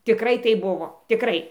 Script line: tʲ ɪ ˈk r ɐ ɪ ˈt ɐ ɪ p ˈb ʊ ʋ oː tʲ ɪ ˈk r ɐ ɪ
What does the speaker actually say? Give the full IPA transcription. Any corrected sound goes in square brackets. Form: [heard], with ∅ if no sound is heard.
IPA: tʲ ɪ ˈk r ɐ ɪ ˈt ɐ ɪ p ˈb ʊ ʋ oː tʲ ɪ ˈk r ɐ ɪ